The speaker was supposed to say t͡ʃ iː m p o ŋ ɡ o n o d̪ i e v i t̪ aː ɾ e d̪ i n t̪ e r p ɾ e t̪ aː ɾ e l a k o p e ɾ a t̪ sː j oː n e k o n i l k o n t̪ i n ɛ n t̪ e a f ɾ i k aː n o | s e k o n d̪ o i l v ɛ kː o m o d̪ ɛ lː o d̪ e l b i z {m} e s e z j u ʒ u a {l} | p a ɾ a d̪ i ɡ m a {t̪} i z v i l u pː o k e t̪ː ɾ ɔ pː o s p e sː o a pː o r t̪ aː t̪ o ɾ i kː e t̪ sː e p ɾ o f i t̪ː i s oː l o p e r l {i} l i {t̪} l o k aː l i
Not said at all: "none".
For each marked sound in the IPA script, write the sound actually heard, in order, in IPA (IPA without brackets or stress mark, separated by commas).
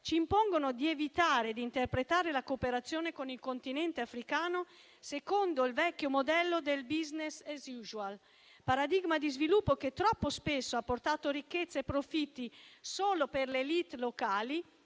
n, l, d̪, e, t̪